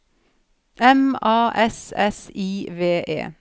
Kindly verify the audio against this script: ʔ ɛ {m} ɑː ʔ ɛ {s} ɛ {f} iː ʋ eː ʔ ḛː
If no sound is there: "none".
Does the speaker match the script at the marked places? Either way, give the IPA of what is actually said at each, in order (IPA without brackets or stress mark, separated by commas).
m, s, s